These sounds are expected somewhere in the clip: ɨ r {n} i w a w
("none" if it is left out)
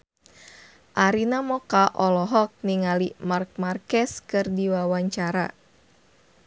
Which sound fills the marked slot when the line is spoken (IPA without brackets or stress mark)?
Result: d